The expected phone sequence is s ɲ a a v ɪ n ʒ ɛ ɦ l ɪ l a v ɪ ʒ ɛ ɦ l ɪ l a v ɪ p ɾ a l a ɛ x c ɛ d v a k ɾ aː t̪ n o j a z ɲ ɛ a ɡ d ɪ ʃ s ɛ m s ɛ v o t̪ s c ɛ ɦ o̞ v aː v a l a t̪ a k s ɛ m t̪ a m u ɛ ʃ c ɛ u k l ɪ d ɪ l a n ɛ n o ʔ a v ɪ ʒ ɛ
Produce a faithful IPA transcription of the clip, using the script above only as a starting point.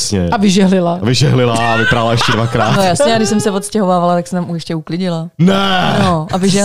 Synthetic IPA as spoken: s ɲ ɛ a v ɪ ʒ ɛ ɦ l ɪ l a v ɪ ʒ ɛ ɦ l ɪ l a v ɪ p ɾ a l a ɛ ʃ c ɛ d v a k ɾ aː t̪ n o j a s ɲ ɛ a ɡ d ɪ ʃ s ɛ m s ɛ v o t̪ s c ɛ ɦ o̞ v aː v a l a t̪ a k s ɛ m t̪ a m u ɛ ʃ c ɛ u k l ɪ ɟ ɪ l a n ɛ n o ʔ a v ɪ ʒ ɛ